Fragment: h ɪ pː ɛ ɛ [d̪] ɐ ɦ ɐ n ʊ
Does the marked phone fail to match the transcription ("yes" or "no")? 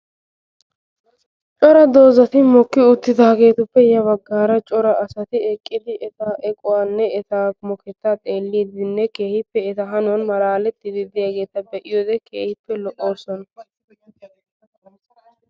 yes